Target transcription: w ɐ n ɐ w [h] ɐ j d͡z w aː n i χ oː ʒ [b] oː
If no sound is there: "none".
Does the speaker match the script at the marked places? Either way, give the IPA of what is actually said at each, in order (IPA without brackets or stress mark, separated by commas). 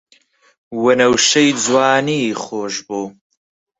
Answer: ʃ, b